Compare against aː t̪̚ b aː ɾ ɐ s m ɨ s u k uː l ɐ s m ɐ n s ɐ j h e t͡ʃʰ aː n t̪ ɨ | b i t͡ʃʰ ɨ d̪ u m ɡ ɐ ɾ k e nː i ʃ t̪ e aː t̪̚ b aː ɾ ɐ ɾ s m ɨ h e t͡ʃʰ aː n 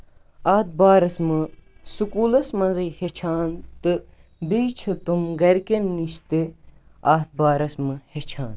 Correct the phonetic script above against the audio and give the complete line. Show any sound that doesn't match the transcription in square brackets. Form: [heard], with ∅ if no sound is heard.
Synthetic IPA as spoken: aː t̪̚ b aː ɾ ɐ s m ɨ s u k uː l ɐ s m ɐ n [z] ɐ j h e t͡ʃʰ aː n t̪ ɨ | b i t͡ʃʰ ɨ [t̪] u m ɡ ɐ ɾ k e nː i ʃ t̪ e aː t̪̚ b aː ɾ ɐ [∅] s m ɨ h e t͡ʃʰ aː n